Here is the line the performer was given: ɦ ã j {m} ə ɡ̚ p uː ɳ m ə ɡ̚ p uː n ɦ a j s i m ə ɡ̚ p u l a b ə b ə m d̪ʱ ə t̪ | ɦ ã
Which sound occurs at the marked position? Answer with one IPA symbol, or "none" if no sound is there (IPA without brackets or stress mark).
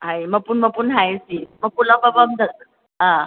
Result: m